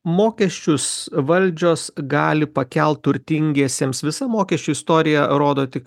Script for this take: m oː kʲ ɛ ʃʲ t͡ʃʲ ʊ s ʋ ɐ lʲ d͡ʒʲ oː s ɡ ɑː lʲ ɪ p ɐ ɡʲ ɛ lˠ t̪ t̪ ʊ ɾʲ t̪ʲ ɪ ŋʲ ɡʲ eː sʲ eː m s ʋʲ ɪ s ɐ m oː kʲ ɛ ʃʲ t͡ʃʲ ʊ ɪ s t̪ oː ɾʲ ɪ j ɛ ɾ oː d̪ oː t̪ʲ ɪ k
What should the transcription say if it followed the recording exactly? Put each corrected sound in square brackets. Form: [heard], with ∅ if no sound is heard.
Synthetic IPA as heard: m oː kʲ ɛ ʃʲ t͡ʃʲ ʊ s ʋ ɐ lʲ d͡ʒʲ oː s ɡ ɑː lʲ ɪ p ɐ [kʲ] ɛ lˠ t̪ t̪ ʊ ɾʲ t̪ʲ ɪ ŋʲ ɡʲ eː sʲ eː m s ʋʲ ɪ s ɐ m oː kʲ ɛ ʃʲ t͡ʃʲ ʊ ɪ s t̪ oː ɾʲ ɪ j ɛ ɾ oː d̪ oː t̪ʲ ɪ k